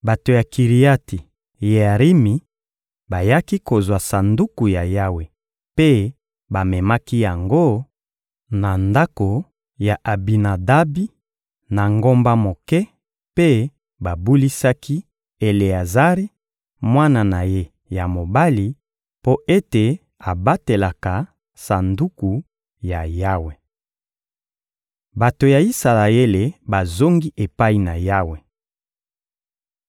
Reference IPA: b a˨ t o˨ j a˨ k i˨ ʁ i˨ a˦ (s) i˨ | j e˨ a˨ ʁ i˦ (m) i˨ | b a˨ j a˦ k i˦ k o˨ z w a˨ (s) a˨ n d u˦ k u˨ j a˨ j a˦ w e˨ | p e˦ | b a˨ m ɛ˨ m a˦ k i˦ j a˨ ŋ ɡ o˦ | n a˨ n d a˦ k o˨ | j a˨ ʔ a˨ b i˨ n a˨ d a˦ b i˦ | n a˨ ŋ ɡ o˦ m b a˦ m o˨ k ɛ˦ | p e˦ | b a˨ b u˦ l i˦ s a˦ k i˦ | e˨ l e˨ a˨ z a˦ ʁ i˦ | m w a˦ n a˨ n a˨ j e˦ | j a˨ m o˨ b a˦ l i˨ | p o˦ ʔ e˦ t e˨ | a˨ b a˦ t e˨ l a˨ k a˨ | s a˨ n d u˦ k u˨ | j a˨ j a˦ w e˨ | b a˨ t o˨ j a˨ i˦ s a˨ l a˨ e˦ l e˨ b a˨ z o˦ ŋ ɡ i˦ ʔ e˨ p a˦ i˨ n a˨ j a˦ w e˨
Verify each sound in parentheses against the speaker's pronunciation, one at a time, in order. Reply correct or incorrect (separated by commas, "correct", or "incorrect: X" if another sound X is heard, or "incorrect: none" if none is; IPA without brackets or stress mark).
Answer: incorrect: t, correct, correct